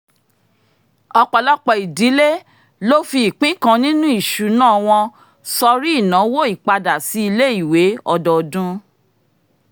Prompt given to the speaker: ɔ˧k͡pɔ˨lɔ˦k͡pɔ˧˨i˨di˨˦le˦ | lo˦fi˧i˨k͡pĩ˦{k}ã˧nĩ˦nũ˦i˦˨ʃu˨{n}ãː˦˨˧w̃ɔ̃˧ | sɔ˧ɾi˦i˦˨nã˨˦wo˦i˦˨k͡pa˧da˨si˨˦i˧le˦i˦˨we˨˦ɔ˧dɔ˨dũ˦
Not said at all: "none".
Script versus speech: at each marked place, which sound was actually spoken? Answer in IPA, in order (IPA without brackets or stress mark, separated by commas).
k, n